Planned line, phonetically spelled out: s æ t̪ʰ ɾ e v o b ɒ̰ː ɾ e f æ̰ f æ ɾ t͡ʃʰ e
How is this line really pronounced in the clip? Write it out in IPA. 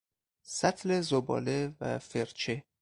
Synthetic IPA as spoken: s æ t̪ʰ l e z o b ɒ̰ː l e v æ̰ f e ɾ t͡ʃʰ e

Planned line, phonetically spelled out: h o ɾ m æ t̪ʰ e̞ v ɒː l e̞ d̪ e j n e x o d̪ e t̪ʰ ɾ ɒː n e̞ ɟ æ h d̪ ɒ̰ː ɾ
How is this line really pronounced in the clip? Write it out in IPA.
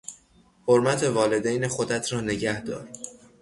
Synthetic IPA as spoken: h o ɾ m æ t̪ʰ e̞ v ɒː l e̞ d̪ e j n e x o d̪ æ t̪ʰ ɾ ɒː n e̞ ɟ æ h d̪ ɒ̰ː ɾ

